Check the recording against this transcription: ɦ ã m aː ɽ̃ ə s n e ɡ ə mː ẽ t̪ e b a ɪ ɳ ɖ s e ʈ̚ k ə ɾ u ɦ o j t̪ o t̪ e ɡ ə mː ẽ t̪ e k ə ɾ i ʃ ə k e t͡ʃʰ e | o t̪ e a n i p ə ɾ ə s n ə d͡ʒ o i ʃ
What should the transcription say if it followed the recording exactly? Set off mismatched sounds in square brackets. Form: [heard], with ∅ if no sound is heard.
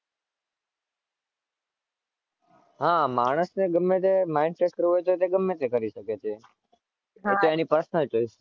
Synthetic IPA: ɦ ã m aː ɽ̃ ə s n e ɡ ə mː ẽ t̪ e [m] a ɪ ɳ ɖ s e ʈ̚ k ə ɾ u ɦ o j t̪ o t̪ e ɡ ə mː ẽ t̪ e k ə ɾ i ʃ ə k e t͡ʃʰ e | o t̪ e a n i p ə ɾ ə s n ə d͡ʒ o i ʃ